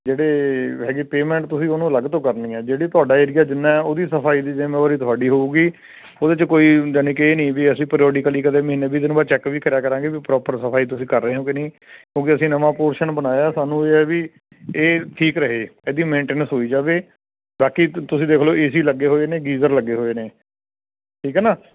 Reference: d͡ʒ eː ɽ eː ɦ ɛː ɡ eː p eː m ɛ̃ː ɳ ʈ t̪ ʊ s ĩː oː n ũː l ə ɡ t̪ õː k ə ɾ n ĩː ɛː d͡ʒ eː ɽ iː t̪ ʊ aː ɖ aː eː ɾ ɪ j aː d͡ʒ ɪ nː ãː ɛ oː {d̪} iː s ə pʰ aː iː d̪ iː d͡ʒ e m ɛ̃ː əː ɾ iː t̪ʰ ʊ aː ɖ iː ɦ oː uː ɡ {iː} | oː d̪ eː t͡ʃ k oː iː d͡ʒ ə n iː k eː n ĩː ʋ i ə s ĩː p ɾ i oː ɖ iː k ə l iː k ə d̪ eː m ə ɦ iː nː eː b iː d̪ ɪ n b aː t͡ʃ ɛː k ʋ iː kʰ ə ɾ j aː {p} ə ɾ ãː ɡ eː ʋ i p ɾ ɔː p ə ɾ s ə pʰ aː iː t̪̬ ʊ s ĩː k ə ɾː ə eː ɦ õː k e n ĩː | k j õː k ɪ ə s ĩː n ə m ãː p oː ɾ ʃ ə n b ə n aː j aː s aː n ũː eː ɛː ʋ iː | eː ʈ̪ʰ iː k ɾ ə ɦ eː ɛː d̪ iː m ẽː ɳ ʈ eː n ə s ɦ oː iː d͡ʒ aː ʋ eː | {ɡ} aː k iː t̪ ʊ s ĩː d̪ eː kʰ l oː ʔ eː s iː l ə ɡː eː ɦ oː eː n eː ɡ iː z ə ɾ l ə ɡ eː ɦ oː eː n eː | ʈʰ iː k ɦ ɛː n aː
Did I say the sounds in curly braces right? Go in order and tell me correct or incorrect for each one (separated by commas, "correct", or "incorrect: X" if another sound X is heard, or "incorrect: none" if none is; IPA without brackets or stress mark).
correct, correct, incorrect: k, incorrect: b